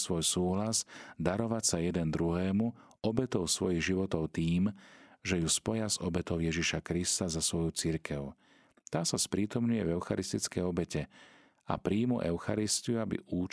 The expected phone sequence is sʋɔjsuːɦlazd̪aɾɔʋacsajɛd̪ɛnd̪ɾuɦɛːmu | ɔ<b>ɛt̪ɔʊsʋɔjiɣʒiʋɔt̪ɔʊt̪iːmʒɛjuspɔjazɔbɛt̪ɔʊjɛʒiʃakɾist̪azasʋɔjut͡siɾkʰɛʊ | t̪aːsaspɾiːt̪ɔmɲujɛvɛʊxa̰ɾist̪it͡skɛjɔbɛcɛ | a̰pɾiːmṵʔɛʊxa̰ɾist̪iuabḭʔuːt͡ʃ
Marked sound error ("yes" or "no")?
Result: no